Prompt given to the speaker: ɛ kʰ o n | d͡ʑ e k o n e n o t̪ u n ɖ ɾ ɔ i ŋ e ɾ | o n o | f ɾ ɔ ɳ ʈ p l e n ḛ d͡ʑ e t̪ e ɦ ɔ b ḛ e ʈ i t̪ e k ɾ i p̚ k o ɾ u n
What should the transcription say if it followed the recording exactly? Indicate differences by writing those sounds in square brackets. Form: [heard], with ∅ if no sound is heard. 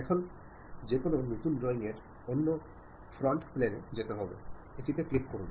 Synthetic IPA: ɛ kʰ o n | d͡ʑ e k o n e n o t̪ u n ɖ ɾ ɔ i ŋ e ɾ | o [nː] o | f ɾ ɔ ɳ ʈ p l e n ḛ d͡ʑ e t̪ e ɦ ɔ b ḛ e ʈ i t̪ e k [l] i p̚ k o ɾ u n

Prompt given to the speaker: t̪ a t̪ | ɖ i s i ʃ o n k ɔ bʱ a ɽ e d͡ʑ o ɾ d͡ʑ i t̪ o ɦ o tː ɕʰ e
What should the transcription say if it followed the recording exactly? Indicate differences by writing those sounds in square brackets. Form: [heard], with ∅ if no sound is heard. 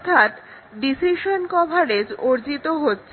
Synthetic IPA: [t̪ʰ] a t̪ | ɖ i s i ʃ o n k ɔ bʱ a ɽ e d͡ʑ o ɾ d͡ʑ i t̪ o ɦ o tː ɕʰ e

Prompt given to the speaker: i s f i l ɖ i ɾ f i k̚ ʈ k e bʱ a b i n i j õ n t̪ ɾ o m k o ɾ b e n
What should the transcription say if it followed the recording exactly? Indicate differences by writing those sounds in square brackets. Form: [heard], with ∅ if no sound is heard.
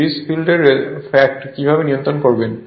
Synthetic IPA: i s f i l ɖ [e] ɾ f [ɛ] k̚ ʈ k [i] bʱ a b [e] n i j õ n t̪ ɾ o [n] k o ɾ b e n

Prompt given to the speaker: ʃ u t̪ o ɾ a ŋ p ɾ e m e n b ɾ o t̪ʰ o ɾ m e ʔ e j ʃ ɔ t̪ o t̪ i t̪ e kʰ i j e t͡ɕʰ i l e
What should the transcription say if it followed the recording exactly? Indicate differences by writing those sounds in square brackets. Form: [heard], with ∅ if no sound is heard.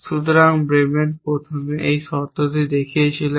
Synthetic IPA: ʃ u t̪ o ɾ a ŋ [b] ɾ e m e n [p] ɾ o t̪ʰ o [∅] m e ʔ e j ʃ ɔ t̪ o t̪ i [d̪] e kʰ i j e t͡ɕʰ i l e

